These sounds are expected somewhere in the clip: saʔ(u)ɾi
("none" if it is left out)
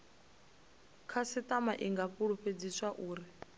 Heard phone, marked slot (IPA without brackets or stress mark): uː